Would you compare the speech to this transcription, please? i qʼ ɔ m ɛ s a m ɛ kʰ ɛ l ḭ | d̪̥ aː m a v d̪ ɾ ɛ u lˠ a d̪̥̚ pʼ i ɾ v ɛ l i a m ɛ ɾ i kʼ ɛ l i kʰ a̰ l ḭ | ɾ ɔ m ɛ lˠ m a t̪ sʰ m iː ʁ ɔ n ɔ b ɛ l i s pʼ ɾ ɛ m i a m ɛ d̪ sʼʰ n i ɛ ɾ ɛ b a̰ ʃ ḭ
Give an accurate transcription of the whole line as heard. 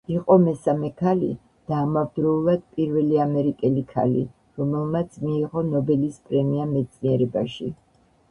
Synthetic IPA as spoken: i qʼ ɔ m ɛ s a m ɛ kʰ a l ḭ | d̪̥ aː m a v d̪ ɾ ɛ u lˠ a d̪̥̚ pʼ i ɾ v ɛ l i a m ɛ ɾ i kʼ ɛ l i kʰ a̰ l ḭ | ɾ ɔ m ɛ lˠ m a t̪ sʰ m iː ʁ ɔ n ɔ b ɛ l i s pʼ ɾ ɛ m i a m ɛ t̪ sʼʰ n i ɛ ɾ ɛ b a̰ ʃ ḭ